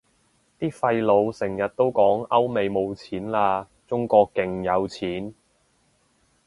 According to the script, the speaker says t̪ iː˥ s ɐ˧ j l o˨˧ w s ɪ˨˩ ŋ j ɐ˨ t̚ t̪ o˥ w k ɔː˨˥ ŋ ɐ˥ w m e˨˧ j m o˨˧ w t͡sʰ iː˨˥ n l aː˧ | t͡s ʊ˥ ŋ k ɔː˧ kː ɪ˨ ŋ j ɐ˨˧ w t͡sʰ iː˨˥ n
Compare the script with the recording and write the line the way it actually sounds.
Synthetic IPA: t̪ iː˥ f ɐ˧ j l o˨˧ w s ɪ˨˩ ŋ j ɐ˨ t̚ t̪ o˥ w k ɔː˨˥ ŋ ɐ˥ w m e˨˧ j m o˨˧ w t͡sʰ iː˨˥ n l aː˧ | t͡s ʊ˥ ŋ k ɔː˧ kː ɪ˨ ŋ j ɐ˨˧ w t͡sʰ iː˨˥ n